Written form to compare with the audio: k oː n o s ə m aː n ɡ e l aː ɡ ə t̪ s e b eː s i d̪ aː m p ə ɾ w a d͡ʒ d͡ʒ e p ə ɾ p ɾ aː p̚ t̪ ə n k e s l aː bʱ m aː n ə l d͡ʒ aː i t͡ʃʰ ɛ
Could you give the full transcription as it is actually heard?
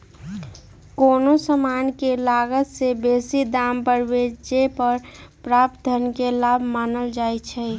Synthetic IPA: k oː n o s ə m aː n k e l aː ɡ ə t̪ s e b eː s i d̪ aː m p ə ɾ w e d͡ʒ d͡ʒ e p ə ɾ p ɾ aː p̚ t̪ ə n k e l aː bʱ m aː n ə l d͡ʒ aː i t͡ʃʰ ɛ